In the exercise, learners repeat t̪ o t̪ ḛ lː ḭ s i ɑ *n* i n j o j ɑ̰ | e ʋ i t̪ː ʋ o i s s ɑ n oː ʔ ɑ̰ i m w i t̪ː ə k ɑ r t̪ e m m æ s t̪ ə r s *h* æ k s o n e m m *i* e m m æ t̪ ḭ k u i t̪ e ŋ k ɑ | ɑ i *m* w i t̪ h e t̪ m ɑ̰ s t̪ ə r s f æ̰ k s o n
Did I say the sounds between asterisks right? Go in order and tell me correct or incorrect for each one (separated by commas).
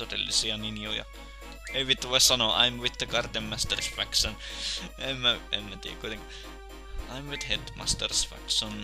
correct, incorrect, incorrect, correct